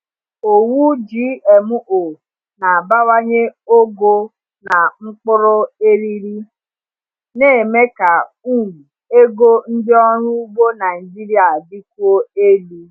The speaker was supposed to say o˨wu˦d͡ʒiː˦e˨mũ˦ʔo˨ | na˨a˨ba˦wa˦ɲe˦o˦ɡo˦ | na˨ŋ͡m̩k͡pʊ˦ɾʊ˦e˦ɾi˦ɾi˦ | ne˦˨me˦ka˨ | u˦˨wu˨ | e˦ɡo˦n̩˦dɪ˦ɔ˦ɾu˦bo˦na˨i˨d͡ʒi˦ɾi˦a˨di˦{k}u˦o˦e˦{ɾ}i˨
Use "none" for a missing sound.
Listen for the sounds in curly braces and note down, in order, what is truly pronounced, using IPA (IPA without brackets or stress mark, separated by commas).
k, l